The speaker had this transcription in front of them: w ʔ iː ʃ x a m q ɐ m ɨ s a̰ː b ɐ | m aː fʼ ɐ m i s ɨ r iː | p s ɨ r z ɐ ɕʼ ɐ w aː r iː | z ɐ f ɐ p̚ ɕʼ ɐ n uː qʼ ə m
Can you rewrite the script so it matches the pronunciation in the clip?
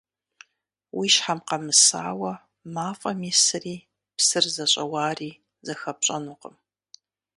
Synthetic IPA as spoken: w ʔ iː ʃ ħ a m q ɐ m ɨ s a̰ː w ɐ | m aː fʼ ɐ m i s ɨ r iː | p s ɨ r z ɐ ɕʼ ɐ w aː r iː | z ɐ x ɐ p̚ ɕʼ ɐ n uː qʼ ə m

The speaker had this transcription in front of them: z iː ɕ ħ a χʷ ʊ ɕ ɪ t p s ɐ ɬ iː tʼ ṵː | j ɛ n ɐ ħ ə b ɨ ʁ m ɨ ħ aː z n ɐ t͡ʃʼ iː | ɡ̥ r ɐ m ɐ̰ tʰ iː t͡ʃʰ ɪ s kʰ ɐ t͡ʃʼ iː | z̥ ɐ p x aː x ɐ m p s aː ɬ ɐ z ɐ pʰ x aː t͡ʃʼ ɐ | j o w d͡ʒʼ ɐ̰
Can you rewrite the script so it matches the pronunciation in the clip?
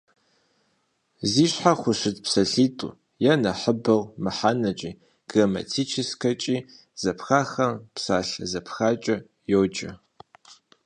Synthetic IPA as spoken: z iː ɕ ħ a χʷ ʊ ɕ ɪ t p s ɐ ɬ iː tʼ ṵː | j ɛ n ɐ ħ ə b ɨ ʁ m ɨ ħ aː n ɐ t͡ʃʼ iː | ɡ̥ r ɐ m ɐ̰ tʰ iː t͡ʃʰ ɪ s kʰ ɐ t͡ʃʼ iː | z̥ ɐ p x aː x ɐ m p s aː ɬ ɐ z ɐ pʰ x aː t͡ʃʼ ɐ | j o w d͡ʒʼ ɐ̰

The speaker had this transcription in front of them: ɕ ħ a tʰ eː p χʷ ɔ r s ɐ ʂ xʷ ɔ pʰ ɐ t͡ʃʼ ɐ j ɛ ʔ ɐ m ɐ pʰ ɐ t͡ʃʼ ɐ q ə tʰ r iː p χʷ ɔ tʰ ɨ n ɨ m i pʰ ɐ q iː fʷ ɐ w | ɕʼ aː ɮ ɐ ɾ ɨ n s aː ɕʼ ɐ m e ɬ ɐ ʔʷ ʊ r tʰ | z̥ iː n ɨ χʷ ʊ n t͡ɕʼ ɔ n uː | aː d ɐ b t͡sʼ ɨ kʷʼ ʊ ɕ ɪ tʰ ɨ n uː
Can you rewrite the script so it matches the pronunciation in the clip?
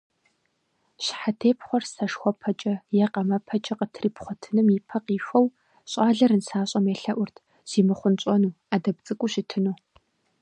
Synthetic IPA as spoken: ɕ ħ a tʰ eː p χʷ ɔ r s ɐ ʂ xʷ ɔ pʰ ɐ t͡ʃʼ ɐ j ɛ q ɐ m ɐ pʰ ɐ t͡ʃʼ ɐ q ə tʰ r iː p χʷ ɔ tʰ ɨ n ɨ m i pʰ ɐ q iː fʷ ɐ w | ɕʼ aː ɮ ɐ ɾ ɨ n s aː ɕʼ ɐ m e ɬ ɐ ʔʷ ʊ r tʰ | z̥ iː m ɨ χʷ ʊ n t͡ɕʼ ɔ n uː | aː d ɐ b t͡sʼ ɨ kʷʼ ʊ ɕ ɪ tʰ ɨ n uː

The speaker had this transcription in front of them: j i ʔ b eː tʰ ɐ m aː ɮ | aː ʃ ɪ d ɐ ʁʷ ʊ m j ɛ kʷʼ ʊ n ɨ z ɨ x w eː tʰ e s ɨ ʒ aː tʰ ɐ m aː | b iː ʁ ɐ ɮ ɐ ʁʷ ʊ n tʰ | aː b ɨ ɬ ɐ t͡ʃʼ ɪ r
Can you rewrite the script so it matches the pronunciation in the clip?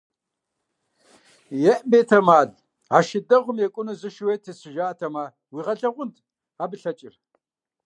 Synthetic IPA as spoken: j ɛ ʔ b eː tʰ ɐ m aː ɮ | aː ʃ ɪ d ɐ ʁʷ ʊ m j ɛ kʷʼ ʊ n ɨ z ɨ ʃ w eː tʰ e s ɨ ʒ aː tʰ ɐ m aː | w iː ʁ ɐ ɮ ɐ ʁʷ ʊ n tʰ | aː b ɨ ɬ ɐ t͡ʃʼ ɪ r

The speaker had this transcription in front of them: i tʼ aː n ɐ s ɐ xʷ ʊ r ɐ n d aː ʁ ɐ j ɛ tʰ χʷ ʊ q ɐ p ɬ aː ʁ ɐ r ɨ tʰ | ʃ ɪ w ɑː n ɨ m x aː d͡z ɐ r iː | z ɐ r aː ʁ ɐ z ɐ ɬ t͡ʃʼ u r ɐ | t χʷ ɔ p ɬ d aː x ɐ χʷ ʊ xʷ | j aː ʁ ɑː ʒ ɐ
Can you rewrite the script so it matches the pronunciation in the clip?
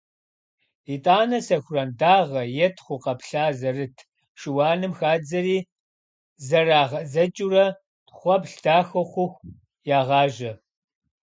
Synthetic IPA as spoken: i tʼ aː n ɐ s ɐ xʷ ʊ r ɐ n d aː ʁ ɐ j ɛ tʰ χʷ ʊ q ɐ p ɬ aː z ɐ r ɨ tʰ | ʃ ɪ w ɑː n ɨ m x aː d͡z ɐ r iː | z ɐ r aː ʁ ɐ z ɐ t͡ʃʼ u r ɐ | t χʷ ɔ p ɬ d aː x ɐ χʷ ʊ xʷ | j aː ʁ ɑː ʒ ɐ

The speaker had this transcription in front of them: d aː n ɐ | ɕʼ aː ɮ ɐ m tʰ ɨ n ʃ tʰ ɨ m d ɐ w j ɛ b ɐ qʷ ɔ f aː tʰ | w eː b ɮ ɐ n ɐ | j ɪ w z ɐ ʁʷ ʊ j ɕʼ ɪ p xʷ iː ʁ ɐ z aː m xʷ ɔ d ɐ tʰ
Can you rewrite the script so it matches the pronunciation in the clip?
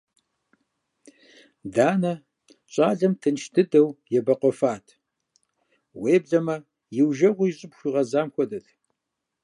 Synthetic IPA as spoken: d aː n ɐ | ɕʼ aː ɮ ɐ m tʰ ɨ n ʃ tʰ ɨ d ɐ w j ɛ b ɐ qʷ ɔ f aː tʰ | w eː b ɮ ɐ m ɐ | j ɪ w ʒ ɐ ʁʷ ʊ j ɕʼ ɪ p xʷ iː ʁ ɐ z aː m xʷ ɔ d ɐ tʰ

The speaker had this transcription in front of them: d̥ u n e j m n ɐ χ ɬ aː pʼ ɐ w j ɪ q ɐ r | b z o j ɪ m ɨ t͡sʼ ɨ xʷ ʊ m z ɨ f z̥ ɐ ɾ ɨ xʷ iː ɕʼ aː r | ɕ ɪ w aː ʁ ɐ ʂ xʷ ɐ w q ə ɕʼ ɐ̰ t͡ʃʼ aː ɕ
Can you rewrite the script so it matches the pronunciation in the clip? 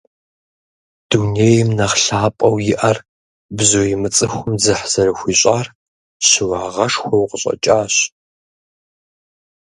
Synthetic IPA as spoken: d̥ u n e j m n ɐ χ ɬ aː pʼ ɐ w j ɪ ʔ ɐ r | b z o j ɪ m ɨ t͡sʼ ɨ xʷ ʊ m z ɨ ħ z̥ ɐ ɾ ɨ xʷ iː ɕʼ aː r | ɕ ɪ w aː ʁ ɐ ʂ xʷ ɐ w q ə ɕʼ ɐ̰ t͡ʃʼ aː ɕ

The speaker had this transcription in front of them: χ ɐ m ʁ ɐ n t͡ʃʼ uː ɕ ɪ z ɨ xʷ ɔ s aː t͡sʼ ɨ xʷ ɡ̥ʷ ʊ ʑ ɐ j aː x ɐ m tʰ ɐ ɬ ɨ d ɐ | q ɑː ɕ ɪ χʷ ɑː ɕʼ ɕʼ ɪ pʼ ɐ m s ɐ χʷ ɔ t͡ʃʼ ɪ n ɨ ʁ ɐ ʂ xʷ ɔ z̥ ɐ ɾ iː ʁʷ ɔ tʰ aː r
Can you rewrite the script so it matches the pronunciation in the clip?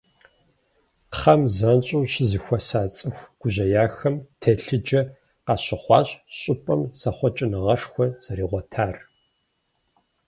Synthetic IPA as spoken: χ ɐ m z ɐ n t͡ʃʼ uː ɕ ɪ z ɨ xʷ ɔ s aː t͡sʼ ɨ xʷ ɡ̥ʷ ʊ ʑ ɐ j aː x ɐ m tʰ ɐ ɬ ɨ d͡ʒ ɐ | q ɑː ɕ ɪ χʷ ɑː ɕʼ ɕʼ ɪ pʼ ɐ m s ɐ χʷ ɔ t͡ʃʼ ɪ n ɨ ʁ ɐ ʂ xʷ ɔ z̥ ɐ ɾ iː ʁʷ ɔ tʰ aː r

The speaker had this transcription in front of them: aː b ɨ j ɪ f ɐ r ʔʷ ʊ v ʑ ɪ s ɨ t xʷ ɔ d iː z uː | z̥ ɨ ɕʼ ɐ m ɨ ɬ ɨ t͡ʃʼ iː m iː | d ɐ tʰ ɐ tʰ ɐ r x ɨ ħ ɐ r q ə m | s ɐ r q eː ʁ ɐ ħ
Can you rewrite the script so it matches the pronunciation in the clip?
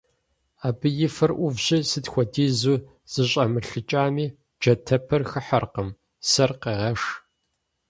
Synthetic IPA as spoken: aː b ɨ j ɪ f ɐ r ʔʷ ʊ v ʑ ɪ s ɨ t xʷ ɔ d iː z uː | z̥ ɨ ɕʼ ɐ m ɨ ɬ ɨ t͡ʃʼ aː m iː | d͡ʒ ɐ tʰ ɐ pʰ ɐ r x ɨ ħ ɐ r q ə m | s ɐ r q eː ʁ ɐ ʂ

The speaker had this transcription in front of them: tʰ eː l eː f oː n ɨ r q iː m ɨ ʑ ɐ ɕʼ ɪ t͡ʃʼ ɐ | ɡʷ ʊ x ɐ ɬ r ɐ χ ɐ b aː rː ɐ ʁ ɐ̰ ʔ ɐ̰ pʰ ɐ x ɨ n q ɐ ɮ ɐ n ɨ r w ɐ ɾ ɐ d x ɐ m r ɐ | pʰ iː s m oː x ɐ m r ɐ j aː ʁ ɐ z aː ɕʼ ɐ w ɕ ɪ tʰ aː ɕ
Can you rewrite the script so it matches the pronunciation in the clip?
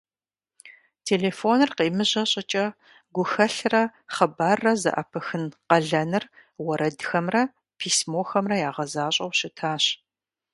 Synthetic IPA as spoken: tʰ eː l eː f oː n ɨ r q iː m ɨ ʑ ɐ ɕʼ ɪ t͡ʃʼ ɐ | ɡʷ ʊ x ɐ ɬ r ɐ χ ɐ b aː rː ɐ z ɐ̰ ʔ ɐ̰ pʰ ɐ x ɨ n q ɐ ɮ ɐ n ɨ r w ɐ ɾ ɐ d x ɐ m r ɐ | pʰ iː s m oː x ɐ m r ɐ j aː ʁ ɐ z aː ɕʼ ɐ w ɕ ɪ tʰ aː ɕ

